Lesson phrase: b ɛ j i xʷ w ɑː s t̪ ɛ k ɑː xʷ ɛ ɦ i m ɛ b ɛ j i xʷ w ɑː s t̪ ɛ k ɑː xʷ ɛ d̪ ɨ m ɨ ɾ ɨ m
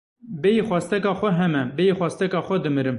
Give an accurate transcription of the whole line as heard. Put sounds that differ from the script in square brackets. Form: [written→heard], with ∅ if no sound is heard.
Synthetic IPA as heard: b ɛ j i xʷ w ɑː s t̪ ɛ k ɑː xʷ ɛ ɦ [i→ɛ] m ɛ b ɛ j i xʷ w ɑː s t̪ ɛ k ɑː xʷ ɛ d̪ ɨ m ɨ ɾ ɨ m